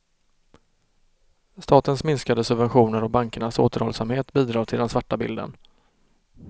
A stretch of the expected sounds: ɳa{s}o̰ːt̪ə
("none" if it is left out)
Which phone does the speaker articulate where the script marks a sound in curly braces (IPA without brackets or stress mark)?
s